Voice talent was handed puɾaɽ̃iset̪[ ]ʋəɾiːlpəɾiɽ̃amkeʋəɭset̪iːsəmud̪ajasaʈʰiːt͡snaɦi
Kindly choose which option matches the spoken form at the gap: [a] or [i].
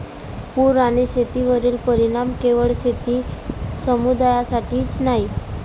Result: i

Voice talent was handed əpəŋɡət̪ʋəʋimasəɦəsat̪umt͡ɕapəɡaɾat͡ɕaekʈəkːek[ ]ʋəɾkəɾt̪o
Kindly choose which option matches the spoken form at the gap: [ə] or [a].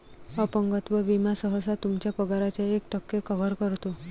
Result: ə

